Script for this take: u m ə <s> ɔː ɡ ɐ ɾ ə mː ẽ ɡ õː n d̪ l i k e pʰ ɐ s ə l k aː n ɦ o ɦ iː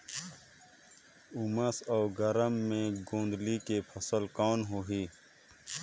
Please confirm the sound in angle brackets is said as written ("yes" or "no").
yes